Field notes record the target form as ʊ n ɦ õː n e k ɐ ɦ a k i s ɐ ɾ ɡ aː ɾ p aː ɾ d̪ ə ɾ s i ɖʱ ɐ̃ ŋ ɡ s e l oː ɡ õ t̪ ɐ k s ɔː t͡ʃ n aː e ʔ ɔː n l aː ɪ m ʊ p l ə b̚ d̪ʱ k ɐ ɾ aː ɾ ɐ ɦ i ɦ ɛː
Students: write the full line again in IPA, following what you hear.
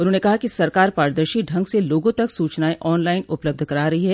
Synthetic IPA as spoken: ʊ n ɦ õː n e k ɐ ɦ a k i s ɐ ɾ k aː ɾ p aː ɾ d̪ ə ɾ ʃ i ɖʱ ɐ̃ ŋ ɡ s e l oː ɡ õ t̪ ɐ k s uː t͡ʃ n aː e ʔ ɔː n l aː ɪ n ʊ p l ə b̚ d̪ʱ k ɐ ɾ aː ɾ ɐ ɦ i ɦ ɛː

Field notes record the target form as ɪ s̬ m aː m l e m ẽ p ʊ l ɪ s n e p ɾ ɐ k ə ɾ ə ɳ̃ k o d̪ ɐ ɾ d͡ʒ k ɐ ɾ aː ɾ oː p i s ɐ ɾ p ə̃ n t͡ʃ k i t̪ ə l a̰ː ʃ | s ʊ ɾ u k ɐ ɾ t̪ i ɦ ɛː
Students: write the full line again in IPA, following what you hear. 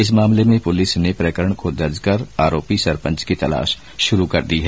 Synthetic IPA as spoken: ɪ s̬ m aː m l e m ẽ p ʊ l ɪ s n e p ɾ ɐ k ə ɾ ə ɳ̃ k o d̪ ɐ ɾ d͡ʒ k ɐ ɾ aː ɾ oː p i s ɐ ɾ p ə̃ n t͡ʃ k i t̪ ɐ l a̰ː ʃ | ʃ ʊ ɾ u k ɐ ɾ d̪ i ɦ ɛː

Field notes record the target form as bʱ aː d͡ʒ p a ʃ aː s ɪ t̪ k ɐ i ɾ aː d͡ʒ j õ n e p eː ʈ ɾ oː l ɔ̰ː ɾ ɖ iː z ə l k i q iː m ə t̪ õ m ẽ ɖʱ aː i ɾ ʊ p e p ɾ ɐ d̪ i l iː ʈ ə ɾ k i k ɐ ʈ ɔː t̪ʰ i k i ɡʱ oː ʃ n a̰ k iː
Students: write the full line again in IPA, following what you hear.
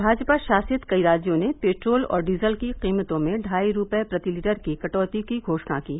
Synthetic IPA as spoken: bʱ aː d͡ʒ p a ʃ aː s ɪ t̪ k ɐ i ɾ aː d͡ʒ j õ n e p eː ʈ ɾ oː l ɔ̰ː ɾ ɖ iː z ə l k i q iː m ə t̪ õ m ẽ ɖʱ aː i ɾ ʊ p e p ɾ ɐ t̪ i l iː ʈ ə ɾ k i k ɐ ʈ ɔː t̪ i k i ɡʱ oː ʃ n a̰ k iː

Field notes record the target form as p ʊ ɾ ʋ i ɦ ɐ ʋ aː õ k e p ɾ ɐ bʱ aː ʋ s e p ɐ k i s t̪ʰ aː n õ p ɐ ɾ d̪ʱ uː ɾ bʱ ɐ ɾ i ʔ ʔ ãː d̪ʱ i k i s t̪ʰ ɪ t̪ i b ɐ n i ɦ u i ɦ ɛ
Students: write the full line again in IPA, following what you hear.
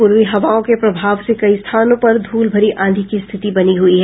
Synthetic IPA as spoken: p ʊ ɾ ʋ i ɦ ɐ ʋ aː õ k e p ɾ ɐ bʱ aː ʋ s e k ɐ i s t̪ʰ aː n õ p ɐ ɾ d̪ʱ uː l bʱ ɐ ɾ i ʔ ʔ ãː d̪ʱ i k i s t̪ʰ ɪ t̪ i b ɐ n i ɦ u i ɦ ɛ

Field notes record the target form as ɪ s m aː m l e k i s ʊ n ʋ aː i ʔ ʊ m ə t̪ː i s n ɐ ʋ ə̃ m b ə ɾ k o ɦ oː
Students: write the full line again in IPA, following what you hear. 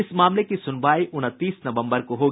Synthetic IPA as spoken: ɪ s m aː m l e k i s ʊ n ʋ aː i ʔ ʊ n ə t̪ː iː s n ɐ ʋ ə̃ m b ə ɾ k o ɦ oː

